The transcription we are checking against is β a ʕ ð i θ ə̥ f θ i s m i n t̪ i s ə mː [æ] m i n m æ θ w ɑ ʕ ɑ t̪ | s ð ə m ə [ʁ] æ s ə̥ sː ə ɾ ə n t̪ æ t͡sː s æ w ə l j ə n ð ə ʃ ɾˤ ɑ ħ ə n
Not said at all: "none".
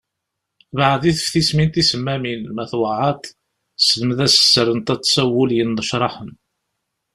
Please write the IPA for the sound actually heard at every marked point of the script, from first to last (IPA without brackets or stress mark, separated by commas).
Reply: æ, ð